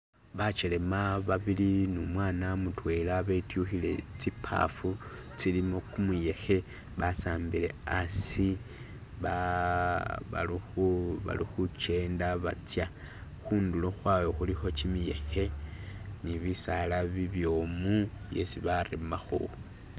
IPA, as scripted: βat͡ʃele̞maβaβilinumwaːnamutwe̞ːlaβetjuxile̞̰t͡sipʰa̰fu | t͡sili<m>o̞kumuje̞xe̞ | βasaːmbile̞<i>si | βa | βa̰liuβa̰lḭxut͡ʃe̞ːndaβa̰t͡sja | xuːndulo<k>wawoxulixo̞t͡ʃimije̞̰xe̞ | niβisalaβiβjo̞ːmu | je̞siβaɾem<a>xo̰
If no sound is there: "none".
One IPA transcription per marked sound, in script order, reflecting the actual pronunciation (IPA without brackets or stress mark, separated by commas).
m, a, x, a